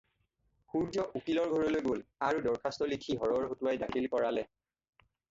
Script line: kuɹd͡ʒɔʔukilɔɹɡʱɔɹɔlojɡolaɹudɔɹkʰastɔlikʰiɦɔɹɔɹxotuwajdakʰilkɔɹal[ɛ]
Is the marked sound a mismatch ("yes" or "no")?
no